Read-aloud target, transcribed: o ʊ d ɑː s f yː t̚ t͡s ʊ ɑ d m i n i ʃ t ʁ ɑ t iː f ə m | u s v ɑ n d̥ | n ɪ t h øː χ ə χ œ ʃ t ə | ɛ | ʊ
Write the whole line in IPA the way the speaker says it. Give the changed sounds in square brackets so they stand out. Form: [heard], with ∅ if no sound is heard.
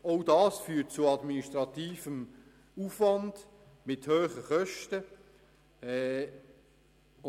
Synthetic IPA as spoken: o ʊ d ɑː s f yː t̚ t͡s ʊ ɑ d m i n i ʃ t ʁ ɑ t iː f ə m | u [f] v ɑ n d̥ | [m] ɪ t h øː χ ə χ œ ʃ t ə | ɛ | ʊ